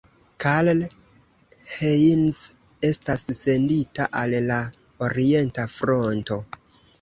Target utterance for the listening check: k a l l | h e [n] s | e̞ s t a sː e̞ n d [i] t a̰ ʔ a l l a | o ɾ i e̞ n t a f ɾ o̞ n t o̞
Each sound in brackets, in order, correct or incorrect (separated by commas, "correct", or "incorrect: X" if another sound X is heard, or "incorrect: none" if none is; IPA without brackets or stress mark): correct, correct